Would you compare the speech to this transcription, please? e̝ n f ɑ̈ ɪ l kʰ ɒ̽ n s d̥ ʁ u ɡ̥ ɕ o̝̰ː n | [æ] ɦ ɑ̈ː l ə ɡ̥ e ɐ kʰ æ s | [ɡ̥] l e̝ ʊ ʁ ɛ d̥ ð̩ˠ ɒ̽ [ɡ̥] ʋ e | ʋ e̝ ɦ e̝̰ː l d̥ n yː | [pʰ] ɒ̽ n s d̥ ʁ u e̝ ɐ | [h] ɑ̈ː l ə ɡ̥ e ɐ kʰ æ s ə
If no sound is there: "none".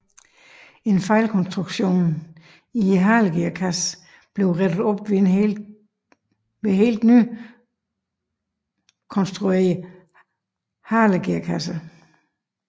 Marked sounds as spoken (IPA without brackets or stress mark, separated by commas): i, b̥, b̥, kʰ, h